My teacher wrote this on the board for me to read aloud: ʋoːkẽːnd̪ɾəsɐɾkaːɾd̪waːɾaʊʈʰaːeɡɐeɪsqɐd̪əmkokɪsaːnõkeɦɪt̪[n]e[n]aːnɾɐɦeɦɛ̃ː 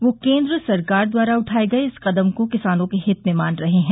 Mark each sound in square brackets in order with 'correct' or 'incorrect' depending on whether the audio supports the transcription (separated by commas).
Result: incorrect, incorrect